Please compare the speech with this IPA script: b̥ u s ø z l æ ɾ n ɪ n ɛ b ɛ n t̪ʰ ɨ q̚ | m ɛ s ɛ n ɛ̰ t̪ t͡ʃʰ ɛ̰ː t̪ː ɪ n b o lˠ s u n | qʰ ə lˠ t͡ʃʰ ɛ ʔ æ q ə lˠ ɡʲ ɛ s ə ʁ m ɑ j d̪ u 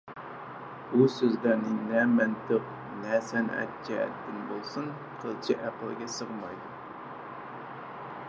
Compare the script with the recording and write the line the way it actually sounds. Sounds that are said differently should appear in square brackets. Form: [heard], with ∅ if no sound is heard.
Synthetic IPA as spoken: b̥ u s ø z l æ ɾ n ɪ n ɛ [m] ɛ n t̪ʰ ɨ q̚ | [n] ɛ s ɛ n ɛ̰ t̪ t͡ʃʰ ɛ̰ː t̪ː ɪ n b o lˠ s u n | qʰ ə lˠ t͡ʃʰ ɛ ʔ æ q ə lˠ ɡʲ ɛ s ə ʁ m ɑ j d̪ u